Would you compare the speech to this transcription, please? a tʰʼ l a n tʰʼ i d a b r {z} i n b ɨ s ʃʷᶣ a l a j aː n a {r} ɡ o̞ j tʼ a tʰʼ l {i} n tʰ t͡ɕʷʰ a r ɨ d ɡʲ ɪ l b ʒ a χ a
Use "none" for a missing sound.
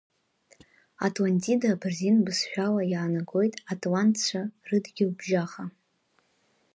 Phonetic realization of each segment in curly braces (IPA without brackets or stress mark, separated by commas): z, none, a